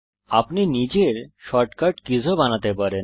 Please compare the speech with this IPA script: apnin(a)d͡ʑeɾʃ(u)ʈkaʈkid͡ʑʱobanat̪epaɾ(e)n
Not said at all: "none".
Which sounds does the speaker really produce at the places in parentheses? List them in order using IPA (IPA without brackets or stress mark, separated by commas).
i, ɔ, e